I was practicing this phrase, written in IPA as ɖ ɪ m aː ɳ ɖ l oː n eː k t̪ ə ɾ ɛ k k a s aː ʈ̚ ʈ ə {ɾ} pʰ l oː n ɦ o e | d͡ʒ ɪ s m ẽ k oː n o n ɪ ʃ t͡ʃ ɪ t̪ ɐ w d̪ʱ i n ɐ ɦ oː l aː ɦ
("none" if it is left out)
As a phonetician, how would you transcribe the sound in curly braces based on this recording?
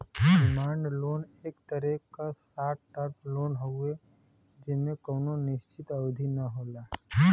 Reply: ɾ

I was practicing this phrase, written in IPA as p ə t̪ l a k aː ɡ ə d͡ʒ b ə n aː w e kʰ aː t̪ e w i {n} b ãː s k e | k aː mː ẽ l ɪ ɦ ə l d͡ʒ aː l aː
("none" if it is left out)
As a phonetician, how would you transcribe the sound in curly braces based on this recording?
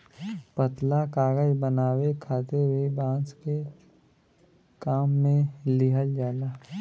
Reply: none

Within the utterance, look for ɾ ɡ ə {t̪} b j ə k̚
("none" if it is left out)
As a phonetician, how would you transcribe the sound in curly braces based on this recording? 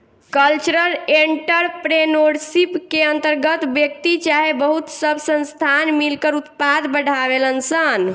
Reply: t̪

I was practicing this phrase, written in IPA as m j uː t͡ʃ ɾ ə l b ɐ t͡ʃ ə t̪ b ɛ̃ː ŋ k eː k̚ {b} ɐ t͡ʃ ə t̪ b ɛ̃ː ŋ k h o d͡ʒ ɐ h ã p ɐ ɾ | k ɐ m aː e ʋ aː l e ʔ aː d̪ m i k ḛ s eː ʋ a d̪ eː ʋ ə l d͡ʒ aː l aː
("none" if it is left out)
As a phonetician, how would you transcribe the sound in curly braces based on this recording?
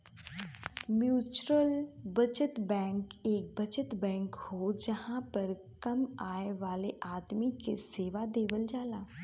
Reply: b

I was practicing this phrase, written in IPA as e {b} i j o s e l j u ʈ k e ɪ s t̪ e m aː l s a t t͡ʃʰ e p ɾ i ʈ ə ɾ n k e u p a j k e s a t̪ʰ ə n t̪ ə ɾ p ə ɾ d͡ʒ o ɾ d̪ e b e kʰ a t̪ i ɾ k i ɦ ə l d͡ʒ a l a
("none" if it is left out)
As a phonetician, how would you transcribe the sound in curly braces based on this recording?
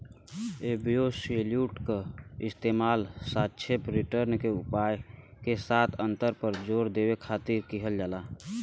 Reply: b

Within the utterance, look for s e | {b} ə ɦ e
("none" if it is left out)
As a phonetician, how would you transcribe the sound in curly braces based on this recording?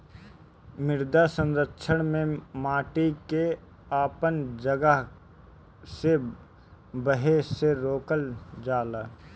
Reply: b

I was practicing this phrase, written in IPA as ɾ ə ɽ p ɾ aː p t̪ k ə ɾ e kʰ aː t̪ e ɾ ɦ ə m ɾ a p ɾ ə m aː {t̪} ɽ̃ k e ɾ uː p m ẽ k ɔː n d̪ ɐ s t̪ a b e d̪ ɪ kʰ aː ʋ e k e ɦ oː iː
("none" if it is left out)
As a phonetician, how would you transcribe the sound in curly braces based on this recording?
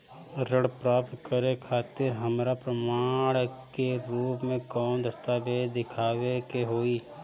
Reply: none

